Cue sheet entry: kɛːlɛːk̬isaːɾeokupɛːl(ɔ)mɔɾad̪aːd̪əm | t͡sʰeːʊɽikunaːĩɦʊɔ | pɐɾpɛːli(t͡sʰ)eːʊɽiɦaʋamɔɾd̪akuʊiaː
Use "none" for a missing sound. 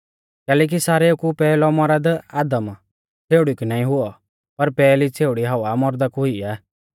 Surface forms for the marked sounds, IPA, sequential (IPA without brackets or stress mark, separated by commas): ɔ, t͡sʰ